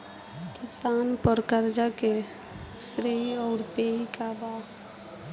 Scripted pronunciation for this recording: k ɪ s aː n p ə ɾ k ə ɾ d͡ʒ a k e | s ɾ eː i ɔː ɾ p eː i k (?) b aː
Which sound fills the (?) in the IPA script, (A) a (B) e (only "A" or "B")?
A